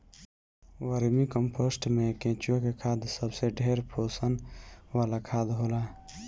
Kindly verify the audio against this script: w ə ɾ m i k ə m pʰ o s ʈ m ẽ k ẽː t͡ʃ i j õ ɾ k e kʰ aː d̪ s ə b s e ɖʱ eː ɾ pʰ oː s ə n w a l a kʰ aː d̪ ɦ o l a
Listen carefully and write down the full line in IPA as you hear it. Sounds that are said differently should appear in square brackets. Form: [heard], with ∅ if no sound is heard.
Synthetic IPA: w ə ɾ m i k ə m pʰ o s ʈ m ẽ k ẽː t͡ʃ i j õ [∅] k e kʰ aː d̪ s ə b s e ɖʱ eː ɾ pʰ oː s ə n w a l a kʰ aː d̪ ɦ o l a

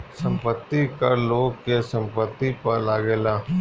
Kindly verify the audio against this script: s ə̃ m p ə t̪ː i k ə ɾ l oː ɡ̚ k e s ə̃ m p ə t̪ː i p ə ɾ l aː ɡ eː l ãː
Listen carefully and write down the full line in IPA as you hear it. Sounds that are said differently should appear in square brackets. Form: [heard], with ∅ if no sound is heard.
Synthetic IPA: s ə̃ m p ə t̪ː i k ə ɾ l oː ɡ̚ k e s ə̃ m p ə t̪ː i p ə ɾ l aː ɡ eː l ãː

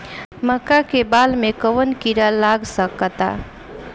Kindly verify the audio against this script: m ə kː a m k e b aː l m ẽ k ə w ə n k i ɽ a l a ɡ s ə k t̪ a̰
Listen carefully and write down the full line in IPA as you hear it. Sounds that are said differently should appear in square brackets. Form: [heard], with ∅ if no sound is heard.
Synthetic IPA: m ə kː a [∅] k e b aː l m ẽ k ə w ə n k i [ɾ] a l a ɡ s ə k t̪ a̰

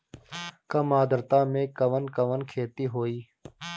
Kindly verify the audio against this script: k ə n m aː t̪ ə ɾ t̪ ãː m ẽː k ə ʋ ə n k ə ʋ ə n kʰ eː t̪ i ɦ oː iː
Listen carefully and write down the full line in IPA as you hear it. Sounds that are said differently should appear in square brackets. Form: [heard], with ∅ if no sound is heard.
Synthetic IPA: k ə [∅] m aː [d̪] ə ɾ t̪ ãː m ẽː k ə ʋ ə n k ə ʋ ə n kʰ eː t̪ [iː] ɦ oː iː

